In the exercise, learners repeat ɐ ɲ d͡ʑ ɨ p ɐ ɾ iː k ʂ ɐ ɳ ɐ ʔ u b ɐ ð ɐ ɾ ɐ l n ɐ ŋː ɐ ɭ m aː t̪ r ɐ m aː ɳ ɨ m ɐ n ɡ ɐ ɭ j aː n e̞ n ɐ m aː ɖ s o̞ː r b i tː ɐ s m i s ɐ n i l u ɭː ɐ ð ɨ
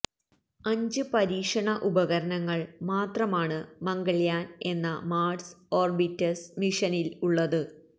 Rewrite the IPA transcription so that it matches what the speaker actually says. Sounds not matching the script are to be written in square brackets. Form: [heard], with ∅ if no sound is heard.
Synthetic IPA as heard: ɐ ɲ d͡ʑ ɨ p ɐ ɾ iː k ʂ ɐ ɳ ɐ ʔ u b ɐ [ɣ] ɐ ɾ ɐ [∅] n ɐ ŋː ɐ ɭ m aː t̪ r ɐ m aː ɳ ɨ m ɐ [ŋ] ɡ ɐ ɭ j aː n e̞ [nː] ɐ m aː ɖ s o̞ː r b i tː ɐ s m i [ʂ] ɐ n i l u ɭː ɐ ð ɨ

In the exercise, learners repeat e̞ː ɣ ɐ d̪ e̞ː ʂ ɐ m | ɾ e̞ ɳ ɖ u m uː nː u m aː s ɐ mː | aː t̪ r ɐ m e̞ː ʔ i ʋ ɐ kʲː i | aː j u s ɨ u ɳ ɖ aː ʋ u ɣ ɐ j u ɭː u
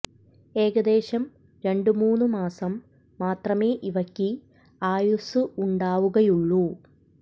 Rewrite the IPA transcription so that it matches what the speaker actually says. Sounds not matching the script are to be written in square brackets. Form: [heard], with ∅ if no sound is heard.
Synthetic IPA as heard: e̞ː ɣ ɐ d̪ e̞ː [ɕ] ɐ m | ɾ e̞ ɳ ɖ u m uː nː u m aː s ɐ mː | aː t̪ r ɐ m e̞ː ʔ i ʋ ɐ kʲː i | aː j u s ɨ u ɳ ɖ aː ʋ u ɣ ɐ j u ɭː u

